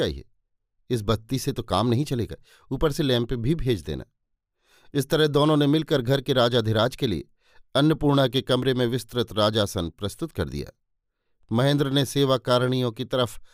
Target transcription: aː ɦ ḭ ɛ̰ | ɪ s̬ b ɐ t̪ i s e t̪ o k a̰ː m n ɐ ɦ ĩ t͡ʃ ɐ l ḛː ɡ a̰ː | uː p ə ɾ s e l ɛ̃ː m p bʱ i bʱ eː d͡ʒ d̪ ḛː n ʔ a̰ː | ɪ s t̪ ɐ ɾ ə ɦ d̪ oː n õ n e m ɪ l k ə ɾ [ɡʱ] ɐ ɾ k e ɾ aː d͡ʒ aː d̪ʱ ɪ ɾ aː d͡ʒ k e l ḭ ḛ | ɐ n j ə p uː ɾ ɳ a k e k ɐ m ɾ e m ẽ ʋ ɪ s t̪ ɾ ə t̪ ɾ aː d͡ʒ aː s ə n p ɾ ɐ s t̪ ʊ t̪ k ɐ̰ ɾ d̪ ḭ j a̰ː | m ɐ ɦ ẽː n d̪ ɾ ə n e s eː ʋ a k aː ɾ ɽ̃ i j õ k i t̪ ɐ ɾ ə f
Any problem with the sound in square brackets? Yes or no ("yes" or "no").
no